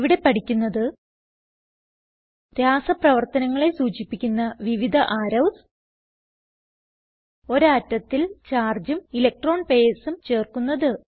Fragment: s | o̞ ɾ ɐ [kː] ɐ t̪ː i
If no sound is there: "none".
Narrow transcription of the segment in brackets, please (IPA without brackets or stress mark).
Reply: tː